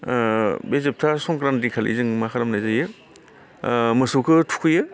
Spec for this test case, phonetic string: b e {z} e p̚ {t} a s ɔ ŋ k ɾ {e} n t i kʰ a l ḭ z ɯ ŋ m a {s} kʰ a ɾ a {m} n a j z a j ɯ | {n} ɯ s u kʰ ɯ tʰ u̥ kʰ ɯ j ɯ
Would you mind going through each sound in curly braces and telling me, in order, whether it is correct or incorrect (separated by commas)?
correct, incorrect, incorrect, incorrect, correct, incorrect